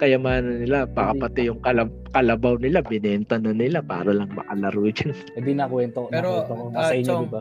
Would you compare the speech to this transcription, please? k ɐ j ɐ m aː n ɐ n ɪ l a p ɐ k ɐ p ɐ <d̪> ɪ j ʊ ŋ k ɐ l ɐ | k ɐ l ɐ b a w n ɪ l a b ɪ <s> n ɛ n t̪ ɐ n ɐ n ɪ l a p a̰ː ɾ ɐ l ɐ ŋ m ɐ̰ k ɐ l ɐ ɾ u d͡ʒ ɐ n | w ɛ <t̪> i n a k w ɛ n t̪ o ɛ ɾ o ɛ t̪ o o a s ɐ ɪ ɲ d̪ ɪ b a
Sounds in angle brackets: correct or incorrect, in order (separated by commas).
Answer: incorrect, incorrect, incorrect